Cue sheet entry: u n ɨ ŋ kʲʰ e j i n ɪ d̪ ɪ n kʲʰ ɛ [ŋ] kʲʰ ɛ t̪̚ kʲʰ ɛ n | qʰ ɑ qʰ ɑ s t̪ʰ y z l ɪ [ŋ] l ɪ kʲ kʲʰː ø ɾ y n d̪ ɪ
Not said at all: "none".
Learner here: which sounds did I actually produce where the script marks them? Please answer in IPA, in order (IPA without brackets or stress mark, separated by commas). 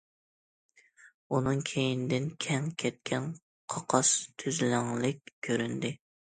ŋ, ŋ